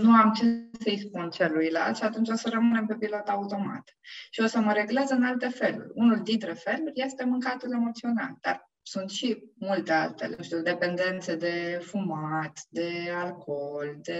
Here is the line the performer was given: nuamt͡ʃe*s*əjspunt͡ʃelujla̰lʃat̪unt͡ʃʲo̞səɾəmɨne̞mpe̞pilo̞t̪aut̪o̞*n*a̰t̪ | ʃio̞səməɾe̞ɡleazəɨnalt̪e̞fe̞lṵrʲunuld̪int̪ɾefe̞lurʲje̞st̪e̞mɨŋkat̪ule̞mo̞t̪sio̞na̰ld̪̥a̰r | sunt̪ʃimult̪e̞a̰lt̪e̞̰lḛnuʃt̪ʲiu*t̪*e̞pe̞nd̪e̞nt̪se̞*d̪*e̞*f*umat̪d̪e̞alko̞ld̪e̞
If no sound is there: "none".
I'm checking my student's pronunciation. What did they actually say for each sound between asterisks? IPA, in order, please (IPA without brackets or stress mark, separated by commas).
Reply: s, m, d̪, d̪, f